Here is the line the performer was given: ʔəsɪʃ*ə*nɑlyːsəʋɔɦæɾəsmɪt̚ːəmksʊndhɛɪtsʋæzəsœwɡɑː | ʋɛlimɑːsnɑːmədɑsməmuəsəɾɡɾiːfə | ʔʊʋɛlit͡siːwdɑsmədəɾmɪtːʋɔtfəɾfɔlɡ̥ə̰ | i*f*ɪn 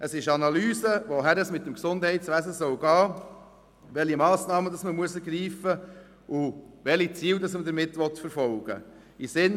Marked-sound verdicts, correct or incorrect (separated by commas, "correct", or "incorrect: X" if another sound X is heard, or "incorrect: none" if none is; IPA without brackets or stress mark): incorrect: ɑ, incorrect: s